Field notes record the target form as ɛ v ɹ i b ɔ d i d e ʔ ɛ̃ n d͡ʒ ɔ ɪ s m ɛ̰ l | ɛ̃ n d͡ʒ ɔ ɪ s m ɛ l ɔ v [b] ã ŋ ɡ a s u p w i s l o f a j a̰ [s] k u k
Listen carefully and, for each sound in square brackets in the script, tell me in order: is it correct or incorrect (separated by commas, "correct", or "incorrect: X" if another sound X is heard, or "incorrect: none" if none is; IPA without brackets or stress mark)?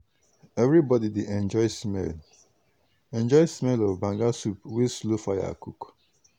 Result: correct, incorrect: none